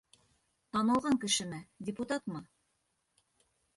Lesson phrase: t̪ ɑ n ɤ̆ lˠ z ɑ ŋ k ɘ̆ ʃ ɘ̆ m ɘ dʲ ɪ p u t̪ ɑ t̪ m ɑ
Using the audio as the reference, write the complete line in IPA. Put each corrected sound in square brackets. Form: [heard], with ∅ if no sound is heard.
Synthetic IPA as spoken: t̪ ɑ n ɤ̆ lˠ [ʁ] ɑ ŋ k ɘ̆ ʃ ɘ̆ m ɘ dʲ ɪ p u t̪ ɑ t̪ m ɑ